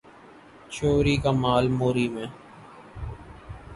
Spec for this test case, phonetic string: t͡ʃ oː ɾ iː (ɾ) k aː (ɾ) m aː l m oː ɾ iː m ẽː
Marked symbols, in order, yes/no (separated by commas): no, no